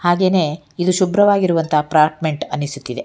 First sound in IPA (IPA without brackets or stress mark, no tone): h